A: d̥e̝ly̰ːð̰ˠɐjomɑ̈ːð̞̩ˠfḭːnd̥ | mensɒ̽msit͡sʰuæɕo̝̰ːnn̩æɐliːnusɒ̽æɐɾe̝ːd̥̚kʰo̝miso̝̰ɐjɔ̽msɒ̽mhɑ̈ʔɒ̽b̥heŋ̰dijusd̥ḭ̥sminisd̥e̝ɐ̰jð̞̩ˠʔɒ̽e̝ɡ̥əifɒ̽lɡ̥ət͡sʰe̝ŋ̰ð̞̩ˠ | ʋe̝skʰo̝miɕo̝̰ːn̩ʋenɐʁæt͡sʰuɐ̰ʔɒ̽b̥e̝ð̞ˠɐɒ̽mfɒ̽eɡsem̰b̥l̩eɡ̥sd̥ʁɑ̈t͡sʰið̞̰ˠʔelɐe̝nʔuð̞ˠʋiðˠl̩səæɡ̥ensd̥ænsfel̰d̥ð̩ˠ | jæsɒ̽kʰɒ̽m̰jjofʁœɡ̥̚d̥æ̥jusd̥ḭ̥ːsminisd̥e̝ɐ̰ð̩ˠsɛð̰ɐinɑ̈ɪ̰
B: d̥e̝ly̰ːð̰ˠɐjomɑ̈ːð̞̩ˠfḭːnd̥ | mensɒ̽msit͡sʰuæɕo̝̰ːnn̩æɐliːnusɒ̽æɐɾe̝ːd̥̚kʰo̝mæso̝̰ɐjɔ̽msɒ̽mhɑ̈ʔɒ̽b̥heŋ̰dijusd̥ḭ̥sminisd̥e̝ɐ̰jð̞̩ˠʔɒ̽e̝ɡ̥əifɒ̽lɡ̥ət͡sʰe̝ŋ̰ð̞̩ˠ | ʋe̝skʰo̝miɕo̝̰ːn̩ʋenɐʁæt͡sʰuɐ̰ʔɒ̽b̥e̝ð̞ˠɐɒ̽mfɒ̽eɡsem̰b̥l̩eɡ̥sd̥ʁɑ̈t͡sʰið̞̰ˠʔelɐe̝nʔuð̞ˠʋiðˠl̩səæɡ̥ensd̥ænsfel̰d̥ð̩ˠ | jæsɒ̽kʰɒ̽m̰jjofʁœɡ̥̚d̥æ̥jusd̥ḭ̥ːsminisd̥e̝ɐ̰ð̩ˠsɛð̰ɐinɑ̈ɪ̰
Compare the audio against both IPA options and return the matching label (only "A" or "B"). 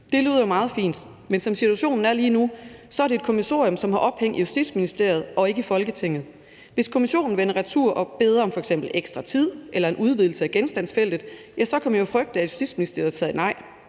A